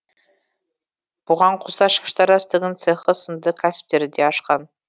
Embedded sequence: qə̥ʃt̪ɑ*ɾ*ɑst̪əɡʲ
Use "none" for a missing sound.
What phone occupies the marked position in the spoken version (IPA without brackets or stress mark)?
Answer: ɾ